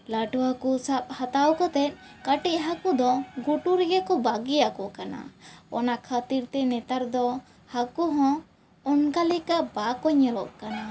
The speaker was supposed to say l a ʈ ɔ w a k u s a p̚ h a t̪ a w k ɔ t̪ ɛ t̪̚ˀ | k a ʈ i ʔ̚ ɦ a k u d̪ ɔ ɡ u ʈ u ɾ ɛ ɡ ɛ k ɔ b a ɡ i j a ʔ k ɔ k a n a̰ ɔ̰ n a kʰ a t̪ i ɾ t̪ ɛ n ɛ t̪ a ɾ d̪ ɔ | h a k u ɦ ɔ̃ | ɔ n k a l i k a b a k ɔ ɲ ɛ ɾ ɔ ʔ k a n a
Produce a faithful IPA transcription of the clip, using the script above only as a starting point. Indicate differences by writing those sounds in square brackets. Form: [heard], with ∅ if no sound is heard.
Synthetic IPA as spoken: l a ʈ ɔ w a k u s a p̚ h a t̪ a w k ɔ t̪ ɛ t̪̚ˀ | k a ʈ i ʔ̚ ɦ a k u d̪ ɔ ɡ u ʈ u ɾ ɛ ɡ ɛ k ɔ b a ɡ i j a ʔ k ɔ k a n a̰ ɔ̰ n a kʰ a t̪ i ɾ t̪ ɛ n ɛ t̪ a ɾ d̪ ɔ | h a k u ɦ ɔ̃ | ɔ n k a l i k a b a k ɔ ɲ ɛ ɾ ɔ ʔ k a n a

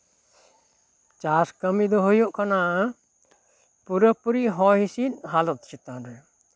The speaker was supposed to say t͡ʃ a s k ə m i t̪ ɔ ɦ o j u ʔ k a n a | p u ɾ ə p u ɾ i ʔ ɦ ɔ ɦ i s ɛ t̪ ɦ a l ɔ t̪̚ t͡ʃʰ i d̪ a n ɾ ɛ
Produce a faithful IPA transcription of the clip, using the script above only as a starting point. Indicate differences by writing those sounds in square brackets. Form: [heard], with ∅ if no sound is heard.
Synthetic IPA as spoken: t͡ʃ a s k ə m i [d̪] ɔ ɦ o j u ʔ k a n a | p u ɾ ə p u ɾ i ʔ ɦ ɔ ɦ i s [i] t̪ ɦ a l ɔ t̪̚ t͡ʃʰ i [t̪] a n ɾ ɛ

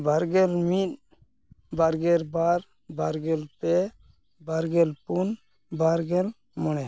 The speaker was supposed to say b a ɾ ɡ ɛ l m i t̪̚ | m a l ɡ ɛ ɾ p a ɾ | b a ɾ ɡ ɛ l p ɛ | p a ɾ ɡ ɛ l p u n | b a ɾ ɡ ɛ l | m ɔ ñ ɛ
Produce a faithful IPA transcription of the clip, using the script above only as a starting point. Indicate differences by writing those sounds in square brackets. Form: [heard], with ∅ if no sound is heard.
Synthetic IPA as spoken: b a ɾ ɡ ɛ l m i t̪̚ | [b] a [ɾ] ɡ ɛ ɾ [b] a ɾ | b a ɾ ɡ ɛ l p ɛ | [b] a ɾ ɡ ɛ l p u n | b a ɾ ɡ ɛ l | m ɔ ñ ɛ

